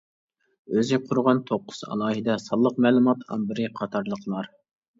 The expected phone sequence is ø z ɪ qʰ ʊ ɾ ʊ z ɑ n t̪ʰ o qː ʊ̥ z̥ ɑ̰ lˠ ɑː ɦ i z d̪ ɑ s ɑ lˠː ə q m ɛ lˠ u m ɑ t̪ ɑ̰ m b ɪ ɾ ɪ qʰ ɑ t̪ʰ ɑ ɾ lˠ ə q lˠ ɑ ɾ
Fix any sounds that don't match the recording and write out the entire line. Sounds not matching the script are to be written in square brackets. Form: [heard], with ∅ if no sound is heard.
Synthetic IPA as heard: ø z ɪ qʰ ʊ ɾ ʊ [ʁ] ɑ n t̪ʰ o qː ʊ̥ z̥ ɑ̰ lˠ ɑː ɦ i [∅] d̪ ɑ s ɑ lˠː ə q m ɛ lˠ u m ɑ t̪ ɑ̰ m b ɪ ɾ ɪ qʰ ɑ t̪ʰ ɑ ɾ lˠ ə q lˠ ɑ ɾ